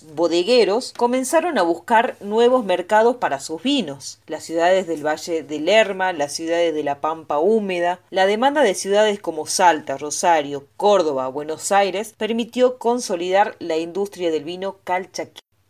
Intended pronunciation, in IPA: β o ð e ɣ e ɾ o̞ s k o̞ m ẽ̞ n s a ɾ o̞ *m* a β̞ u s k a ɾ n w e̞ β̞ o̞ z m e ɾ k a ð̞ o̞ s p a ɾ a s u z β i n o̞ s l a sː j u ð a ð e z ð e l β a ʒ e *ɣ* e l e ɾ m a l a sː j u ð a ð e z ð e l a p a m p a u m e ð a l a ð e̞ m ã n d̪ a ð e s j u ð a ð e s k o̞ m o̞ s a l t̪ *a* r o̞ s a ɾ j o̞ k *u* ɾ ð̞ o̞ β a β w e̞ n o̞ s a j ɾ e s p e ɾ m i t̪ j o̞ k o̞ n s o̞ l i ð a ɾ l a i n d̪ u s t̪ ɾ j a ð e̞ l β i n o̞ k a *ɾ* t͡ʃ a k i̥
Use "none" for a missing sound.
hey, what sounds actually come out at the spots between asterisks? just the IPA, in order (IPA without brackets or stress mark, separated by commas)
n, ð, a, o, l